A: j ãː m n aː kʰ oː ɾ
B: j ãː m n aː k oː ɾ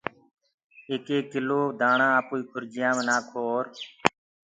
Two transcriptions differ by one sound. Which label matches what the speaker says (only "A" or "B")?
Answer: A